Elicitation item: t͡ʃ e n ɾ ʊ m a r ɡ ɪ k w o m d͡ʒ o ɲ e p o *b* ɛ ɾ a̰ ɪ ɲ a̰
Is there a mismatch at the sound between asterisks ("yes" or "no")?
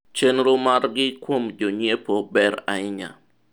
no